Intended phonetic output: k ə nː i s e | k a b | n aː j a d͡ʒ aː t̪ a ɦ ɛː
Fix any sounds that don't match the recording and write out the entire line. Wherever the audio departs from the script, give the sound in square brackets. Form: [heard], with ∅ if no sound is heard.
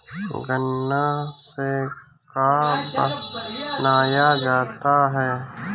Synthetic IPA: [ɡ] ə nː [a] s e | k a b | n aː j a d͡ʒ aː t̪ a ɦ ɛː